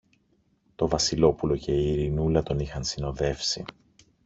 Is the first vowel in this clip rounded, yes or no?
yes